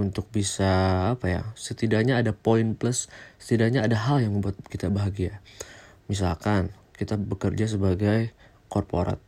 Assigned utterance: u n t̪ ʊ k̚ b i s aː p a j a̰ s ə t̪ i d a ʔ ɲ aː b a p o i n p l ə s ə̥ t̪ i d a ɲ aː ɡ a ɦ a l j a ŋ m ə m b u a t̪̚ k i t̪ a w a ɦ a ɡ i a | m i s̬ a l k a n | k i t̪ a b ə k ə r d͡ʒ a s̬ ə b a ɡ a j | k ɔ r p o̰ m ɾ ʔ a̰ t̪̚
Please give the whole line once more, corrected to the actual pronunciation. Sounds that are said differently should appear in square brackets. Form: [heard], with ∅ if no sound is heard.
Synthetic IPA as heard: u n t̪ ʊ k̚ b i s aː p a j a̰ s ə t̪ i d a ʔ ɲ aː [d] a p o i n p l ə s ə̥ t̪ i d a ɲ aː [d] a ɦ a l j a ŋ m ə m b u a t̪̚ k i t̪ a [b] a ɦ a ɡ i a | m i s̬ a l k a n | k i t̪ a b ə k ə r d͡ʒ a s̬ ə b a ɡ a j | k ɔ r p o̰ [∅] ɾ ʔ a̰ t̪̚